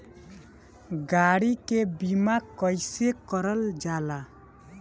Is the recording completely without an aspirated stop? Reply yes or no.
yes